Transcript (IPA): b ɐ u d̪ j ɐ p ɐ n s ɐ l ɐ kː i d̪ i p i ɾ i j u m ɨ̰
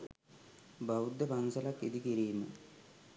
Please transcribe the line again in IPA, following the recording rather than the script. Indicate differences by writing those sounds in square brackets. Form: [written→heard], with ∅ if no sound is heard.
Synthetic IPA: b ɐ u d̪ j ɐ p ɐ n s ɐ l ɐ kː i d̪ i [p→k] i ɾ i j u m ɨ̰